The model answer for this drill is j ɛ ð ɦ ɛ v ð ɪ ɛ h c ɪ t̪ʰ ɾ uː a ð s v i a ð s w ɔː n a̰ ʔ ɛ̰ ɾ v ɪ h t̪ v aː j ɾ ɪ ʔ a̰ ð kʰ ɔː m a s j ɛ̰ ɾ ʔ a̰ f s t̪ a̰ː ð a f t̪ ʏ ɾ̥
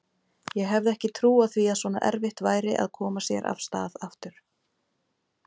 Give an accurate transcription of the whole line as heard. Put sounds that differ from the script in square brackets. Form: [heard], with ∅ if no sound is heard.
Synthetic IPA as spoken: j ɛ [ɣ] ɦ ɛ v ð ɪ ɛ h c ɪ t̪ʰ ɾ uː a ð [θ] v i a ð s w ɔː n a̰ ʔ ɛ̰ ɾ v ɪ h t̪ v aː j ɾ ɪ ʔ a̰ ð kʰ ɔː m a s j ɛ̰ ɾ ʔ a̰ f s t̪ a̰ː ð a f t̪ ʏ ɾ̥